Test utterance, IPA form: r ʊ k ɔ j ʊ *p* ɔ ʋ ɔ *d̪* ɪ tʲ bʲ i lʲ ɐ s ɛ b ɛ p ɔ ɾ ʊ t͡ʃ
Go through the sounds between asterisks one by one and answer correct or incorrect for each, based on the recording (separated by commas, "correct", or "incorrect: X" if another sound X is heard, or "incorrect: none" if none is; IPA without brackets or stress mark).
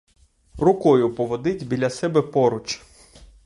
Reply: correct, correct